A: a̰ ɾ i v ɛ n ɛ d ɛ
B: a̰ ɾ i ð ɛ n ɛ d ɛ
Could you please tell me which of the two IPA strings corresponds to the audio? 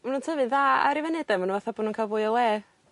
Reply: A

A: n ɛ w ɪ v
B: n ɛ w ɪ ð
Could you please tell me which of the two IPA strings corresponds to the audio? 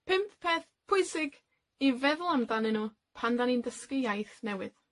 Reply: B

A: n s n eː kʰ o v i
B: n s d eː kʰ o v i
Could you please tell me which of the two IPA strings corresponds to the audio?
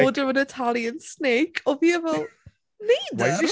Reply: A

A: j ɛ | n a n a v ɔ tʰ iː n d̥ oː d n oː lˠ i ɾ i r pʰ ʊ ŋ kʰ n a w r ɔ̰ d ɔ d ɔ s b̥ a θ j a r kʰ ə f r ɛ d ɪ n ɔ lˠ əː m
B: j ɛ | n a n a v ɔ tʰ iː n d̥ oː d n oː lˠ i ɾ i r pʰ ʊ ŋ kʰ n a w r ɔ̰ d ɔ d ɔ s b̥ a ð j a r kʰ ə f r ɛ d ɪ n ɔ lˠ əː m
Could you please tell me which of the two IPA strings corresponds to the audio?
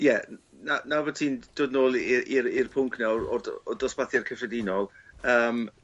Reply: A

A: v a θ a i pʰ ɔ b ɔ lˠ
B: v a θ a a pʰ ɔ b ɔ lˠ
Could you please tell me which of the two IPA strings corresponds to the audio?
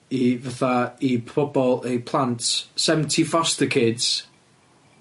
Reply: A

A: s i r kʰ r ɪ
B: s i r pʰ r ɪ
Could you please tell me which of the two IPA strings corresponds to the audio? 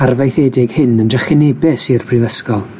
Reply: B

